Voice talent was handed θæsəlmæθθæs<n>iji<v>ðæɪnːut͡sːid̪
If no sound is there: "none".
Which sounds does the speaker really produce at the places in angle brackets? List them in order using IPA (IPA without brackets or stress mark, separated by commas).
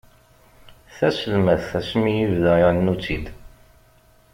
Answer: m, v